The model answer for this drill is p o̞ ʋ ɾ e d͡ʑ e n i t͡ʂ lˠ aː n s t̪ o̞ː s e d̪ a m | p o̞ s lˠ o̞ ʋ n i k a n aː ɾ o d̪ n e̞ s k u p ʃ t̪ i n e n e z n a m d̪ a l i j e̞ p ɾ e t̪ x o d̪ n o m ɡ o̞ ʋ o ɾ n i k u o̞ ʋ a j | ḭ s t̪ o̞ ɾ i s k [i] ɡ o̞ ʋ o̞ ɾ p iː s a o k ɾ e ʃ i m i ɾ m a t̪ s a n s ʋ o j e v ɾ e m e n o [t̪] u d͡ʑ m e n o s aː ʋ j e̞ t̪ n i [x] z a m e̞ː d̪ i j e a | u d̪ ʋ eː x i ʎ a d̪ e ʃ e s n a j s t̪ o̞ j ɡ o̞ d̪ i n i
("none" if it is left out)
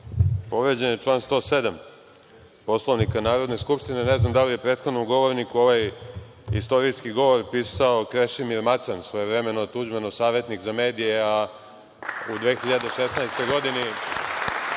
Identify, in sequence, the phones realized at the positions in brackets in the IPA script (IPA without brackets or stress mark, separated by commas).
i, t̪, k